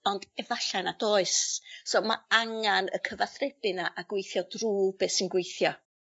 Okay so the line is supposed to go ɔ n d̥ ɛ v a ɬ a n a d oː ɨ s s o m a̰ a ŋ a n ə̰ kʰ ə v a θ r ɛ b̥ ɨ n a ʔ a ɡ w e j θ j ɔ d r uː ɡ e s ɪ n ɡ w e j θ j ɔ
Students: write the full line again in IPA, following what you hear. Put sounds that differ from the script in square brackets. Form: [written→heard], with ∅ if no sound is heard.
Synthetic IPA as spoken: ɔ n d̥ ɛ v a ɬ a n a d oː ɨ s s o m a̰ a ŋ a n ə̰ kʰ ə v a θ r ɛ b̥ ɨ n a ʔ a ɡ w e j θ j ɔ d r uː [ɡ→b] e s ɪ n ɡ w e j θ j ɔ

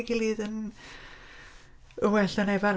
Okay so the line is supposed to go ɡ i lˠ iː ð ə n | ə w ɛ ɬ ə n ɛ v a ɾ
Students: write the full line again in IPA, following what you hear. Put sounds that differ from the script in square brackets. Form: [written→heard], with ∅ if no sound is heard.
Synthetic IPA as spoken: ɡ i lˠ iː ð ə n | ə w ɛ ɬ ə n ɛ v a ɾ

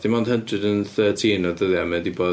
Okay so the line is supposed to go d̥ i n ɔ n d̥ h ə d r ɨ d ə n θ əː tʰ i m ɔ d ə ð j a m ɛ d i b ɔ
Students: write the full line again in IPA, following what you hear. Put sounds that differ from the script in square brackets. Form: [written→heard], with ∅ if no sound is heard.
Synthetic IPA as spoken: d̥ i [n→m] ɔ n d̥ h ə d r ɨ d ə n θ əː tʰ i [m→n] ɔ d ə ð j a m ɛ d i b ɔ

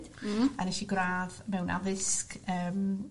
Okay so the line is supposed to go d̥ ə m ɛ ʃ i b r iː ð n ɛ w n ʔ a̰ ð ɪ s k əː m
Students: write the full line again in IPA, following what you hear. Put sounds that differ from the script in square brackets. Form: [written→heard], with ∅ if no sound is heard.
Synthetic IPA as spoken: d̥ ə [m→n] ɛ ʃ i [b→ɡ] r [iː→aː] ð [n→m] ɛ w n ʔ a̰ ð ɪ s k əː m

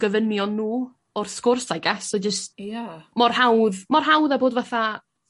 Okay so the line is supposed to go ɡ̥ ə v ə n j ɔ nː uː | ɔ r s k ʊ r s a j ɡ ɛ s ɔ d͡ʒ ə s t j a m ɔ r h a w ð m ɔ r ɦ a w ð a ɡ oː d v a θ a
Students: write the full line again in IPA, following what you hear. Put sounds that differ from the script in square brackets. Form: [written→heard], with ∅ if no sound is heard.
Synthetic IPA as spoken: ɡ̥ ə v ə n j ɔ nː uː | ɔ r s k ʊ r s a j ɡ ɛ s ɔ d͡ʒ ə s t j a m ɔ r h a w ð m ɔ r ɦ a w ð a [ɡ→b] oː d v a θ a

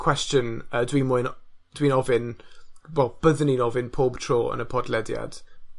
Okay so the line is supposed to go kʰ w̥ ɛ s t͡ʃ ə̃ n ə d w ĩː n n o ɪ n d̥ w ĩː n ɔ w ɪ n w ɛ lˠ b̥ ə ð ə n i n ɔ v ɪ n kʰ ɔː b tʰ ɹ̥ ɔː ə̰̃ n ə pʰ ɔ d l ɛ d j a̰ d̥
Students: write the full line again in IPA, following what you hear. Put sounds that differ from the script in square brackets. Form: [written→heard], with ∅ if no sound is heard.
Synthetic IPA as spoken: kʰ w̥ ɛ s t͡ʃ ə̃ n ə d w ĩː n [n→m] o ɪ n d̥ w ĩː n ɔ [w→v] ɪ n w ɛ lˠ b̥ ə ð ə n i n ɔ v ɪ n [kʰ→pʰ] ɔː b tʰ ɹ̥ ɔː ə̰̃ n ə pʰ ɔ d l ɛ d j a̰ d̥

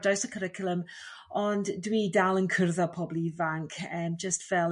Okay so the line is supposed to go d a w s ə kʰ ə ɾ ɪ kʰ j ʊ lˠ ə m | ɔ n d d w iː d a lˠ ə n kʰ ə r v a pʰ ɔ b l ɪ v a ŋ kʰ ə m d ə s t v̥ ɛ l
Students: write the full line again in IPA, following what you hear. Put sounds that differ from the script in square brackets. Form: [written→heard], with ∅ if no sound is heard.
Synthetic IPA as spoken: d a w s ə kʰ ə ɾ ɪ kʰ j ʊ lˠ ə m | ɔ n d d w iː d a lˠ ə n kʰ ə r [v→ð] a pʰ ɔ b l [ɪ→i] v a ŋ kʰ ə m [d→d͡ʒ] ə s t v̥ ɛ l

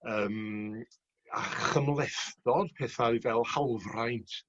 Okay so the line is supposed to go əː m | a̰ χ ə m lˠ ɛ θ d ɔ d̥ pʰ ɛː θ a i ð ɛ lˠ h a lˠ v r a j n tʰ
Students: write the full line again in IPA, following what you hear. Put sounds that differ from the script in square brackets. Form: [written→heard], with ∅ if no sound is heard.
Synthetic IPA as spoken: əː m | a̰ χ ə m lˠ ɛ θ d ɔ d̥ pʰ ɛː θ a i [ð→v] ɛ lˠ h a lˠ v r a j n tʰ

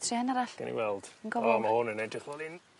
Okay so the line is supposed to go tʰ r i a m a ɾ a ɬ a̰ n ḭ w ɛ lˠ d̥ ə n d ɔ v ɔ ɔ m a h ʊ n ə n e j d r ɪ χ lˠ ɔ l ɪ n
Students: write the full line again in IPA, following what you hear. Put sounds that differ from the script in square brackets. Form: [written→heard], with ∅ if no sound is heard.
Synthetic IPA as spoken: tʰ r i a [m→n] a ɾ a ɬ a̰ n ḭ w ɛ lˠ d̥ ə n [d→ɡ] ɔ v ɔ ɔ m a h ʊ n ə n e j d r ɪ χ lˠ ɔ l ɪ n

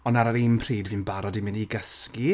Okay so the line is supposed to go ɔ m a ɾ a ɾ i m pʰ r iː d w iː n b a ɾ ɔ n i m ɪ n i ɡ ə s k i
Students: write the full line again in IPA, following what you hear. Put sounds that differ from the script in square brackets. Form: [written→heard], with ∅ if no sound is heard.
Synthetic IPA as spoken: ɔ [m→n] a ɾ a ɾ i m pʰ r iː d [w→v] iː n b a ɾ ɔ [n→d] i m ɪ n i ɡ ə s k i

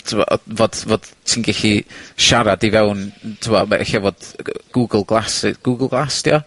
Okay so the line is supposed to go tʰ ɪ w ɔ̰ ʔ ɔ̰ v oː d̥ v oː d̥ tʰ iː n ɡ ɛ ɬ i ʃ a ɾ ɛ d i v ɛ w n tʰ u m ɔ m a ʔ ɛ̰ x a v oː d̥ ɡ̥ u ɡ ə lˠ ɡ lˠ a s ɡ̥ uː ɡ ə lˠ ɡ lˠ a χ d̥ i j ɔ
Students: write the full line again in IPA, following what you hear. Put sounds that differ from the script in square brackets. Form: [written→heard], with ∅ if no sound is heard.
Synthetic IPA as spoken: tʰ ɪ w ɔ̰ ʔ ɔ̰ v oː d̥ v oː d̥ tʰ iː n ɡ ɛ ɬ i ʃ a ɾ [ɛ→a] d i v ɛ w n tʰ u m ɔ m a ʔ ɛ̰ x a v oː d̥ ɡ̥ u ɡ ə lˠ ɡ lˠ a s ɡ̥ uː ɡ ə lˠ ɡ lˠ a [χ→s] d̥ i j ɔ

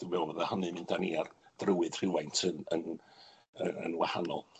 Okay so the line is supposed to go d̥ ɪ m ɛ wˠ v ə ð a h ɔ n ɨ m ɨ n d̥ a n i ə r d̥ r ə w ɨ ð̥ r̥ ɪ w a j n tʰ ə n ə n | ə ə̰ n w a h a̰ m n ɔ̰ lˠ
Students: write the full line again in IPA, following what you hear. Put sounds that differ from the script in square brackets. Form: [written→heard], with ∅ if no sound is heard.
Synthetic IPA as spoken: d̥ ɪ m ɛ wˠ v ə ð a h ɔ n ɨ m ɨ n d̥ a n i [ə→a] r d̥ r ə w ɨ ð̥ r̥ ɪ w a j n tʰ ə n ə n | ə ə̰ n w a h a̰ [m→∅] n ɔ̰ lˠ

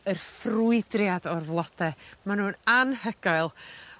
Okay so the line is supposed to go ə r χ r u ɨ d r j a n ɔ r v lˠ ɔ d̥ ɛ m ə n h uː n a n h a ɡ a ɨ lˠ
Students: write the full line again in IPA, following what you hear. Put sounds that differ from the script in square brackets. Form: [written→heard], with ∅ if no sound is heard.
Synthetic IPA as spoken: ə r [χ→f] r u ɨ d r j a [n→d] ɔ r v lˠ ɔ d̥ ɛ m [ə→a] n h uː n a n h [a→ə] ɡ a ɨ lˠ

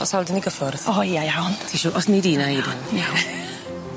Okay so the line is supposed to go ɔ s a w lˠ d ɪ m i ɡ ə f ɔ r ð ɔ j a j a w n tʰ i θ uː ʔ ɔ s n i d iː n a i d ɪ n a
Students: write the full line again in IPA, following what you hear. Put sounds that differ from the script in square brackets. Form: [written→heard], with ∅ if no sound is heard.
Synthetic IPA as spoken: ɔ s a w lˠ d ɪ [m→n] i ɡ ə f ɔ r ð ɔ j a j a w n tʰ i [θ→ʃ] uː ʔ ɔ s n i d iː n a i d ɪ n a

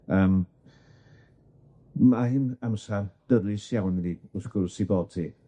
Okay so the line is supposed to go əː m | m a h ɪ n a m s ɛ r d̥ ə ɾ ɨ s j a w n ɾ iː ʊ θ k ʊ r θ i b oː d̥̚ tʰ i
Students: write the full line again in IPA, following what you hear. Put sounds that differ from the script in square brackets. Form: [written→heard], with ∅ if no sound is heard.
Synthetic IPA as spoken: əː m | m a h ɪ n a m s [ɛ→a] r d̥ ə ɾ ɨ s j a w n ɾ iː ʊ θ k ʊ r [θ→s] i b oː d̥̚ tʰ i

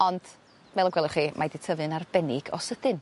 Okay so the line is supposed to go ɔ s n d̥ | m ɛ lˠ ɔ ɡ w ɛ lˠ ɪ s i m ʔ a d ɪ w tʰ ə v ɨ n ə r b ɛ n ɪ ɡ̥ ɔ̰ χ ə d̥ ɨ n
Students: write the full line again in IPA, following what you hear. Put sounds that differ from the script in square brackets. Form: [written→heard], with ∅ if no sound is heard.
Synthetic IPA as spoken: ɔ [s→∅] n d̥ | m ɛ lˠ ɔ ɡ w ɛ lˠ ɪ [s→χ] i m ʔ a d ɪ [w→∅] tʰ ə v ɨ n [ə→a] r b ɛ n ɪ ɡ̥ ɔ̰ [χ→s] ə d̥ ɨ n

